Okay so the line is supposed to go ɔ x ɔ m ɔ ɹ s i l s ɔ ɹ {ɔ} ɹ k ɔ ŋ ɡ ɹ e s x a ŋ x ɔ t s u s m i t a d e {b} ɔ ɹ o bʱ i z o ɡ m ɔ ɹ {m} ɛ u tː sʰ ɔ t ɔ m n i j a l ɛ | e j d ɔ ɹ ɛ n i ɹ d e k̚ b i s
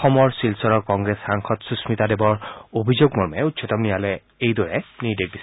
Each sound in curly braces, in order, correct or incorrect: correct, correct, correct

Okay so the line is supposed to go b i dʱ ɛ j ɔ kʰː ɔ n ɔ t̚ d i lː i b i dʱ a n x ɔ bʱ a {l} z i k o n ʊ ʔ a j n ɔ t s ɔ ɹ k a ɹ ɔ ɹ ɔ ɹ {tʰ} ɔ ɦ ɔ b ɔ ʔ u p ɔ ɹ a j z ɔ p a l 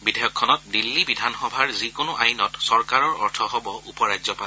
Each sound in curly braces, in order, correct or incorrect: incorrect, correct

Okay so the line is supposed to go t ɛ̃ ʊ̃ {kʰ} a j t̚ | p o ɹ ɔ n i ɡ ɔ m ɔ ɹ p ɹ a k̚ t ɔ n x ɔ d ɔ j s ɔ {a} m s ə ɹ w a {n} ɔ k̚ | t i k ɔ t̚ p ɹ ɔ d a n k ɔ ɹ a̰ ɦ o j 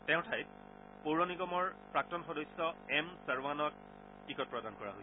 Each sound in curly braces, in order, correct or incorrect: incorrect, incorrect, correct

